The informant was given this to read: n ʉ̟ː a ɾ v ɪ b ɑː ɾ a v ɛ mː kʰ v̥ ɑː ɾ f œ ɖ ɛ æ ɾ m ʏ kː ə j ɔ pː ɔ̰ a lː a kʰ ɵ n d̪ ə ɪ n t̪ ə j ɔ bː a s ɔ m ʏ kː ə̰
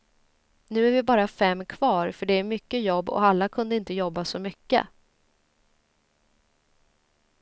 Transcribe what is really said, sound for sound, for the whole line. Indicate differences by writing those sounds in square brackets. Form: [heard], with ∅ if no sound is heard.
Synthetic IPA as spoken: n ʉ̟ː [æ] ɾ v ɪ b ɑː ɾ a [f] ɛ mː kʰ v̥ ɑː ɾ f œ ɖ ɛ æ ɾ m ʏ kː ə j ɔ [bː] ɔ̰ a lː a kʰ ɵ n d̪ ə ɪ n t̪ ə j ɔ bː a s ɔ m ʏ kː ə̰

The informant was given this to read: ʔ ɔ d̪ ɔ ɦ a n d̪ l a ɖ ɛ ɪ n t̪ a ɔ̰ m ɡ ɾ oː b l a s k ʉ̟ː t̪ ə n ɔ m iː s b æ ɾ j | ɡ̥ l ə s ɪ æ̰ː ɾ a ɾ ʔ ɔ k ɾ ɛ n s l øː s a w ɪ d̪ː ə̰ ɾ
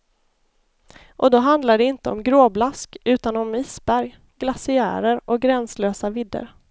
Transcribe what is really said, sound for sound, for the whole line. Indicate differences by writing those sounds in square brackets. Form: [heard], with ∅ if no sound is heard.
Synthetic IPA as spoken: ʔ ɔ d̪ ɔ ɦ a n d̪ l a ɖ ɛ ɪ n t̪ [ə] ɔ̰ m ɡ ɾ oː b l a s k ʉ̟ː t̪ [a] n ɔ m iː s b æ ɾ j | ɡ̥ l [a] s ɪ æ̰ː ɾ [ə] ɾ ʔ ɔ [ɡ] ɾ ɛ n s l øː s a [v] ɪ d̪ː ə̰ ɾ

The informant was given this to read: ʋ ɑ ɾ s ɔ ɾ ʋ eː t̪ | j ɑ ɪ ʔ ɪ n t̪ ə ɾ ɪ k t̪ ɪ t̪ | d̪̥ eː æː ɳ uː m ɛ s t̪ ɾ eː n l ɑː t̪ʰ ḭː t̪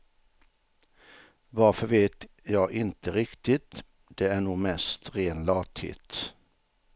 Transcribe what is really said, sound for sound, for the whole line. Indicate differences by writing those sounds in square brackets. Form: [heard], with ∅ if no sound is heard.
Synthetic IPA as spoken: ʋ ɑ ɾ [f] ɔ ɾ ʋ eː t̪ | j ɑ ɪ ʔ ɪ n t̪ ə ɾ ɪ k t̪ ɪ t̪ | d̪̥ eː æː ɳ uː m ɛ s t̪ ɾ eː n l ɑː t̪ʰ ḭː t̪

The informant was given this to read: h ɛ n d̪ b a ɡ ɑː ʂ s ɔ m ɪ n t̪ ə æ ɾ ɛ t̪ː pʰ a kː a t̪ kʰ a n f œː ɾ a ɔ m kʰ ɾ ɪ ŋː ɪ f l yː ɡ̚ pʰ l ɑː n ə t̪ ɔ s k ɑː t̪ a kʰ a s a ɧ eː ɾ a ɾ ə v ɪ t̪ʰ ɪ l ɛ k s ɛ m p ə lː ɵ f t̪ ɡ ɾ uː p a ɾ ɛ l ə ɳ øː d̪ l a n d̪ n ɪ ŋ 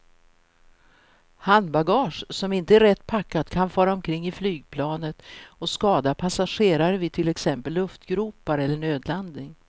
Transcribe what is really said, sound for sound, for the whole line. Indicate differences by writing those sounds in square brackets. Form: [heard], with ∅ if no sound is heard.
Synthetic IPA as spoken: h [a] n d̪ b a ɡ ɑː ʂ s ɔ m ɪ n t̪ ə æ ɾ ɛ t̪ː pʰ a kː a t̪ kʰ a n f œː ɾ a ɔ m kʰ ɾ ɪ ŋː ɪ f l yː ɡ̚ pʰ l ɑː n ə t̪ ɔ s k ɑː [d̪] a [pʰ] a s a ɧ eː ɾ a ɾ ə v ɪ t̪ʰ ɪ l ɛ k s ɛ m p ə lː ɵ f t̪ ɡ ɾ uː p a ɾ ɛ [lː] ə ɳ øː d̪ l a n d̪ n ɪ ŋ

